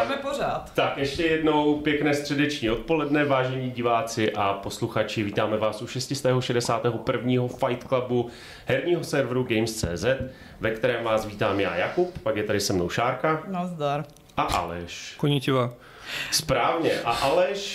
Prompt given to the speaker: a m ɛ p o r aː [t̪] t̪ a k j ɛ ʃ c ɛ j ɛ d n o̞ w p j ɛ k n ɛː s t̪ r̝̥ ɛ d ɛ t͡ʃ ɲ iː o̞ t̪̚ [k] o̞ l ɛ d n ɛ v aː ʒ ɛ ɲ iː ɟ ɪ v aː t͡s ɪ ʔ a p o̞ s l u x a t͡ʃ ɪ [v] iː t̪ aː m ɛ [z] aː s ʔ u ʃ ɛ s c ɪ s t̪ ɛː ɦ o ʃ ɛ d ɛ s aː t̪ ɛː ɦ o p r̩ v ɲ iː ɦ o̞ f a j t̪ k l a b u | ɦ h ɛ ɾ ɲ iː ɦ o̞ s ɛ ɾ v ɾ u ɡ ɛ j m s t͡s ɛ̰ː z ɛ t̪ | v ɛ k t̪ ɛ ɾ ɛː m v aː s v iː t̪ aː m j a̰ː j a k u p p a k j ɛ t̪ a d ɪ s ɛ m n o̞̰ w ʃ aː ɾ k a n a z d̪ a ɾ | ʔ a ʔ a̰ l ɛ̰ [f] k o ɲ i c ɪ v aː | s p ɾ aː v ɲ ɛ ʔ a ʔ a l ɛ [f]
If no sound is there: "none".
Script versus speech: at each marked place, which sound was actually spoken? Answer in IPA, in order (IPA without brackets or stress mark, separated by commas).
t̪, p, v, v, ʃ, ʃ